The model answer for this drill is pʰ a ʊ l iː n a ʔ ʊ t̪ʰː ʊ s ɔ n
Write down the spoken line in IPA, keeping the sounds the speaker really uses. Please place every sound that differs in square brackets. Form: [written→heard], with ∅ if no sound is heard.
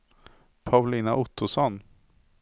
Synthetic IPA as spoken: pʰ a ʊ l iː n a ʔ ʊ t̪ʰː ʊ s ɔ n